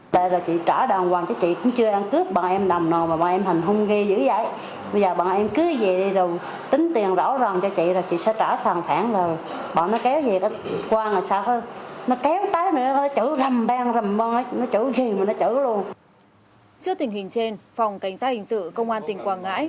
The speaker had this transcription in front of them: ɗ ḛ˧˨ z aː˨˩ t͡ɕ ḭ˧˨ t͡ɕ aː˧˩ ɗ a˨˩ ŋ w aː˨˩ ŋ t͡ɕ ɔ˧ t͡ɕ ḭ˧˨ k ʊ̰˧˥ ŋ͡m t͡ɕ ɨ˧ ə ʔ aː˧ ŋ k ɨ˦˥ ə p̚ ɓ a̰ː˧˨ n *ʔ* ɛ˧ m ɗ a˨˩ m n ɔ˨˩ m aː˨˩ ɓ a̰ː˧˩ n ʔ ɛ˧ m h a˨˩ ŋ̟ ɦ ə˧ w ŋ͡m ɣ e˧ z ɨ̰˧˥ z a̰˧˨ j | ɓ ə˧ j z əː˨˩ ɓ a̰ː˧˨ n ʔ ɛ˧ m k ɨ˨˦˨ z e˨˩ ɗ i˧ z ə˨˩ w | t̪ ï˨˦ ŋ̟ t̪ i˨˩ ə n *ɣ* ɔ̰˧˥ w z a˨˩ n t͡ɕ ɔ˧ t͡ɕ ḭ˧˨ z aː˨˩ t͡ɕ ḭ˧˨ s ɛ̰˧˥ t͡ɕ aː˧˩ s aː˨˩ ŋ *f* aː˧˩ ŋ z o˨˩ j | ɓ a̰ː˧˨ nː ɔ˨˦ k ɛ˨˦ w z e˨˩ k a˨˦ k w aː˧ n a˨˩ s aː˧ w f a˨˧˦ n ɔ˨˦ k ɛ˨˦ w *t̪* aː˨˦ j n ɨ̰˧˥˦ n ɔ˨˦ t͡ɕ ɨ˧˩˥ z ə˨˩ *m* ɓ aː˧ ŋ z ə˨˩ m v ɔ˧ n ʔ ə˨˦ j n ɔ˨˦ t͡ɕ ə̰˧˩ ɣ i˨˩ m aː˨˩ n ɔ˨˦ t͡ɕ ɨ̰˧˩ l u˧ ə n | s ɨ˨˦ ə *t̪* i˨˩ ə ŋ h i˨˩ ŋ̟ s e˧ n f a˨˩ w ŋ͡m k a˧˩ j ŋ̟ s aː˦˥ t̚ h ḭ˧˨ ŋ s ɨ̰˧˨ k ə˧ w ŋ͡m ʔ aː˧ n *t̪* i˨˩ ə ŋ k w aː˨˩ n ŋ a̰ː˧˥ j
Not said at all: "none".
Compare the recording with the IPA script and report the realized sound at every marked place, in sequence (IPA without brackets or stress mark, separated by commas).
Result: ʔ, z, f, t̪, m, t̪, t̪